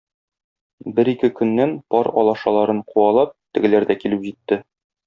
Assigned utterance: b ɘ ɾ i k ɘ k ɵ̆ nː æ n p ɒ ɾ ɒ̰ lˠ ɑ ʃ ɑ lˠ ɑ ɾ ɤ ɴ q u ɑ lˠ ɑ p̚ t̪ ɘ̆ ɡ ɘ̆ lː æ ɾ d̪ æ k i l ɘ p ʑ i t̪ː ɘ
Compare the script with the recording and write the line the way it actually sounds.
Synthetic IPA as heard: b ɘ ɾ i k ɘ k ɵ̆ nː æ n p ɒ ɾ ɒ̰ lˠ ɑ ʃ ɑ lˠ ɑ ɾ ɤ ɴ q u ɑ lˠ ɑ p̚ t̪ ɘ̆ ɡ ɘ̆ l æ ɾ d̪ æ k i l ɘ p ʑ i t̪ː ɘ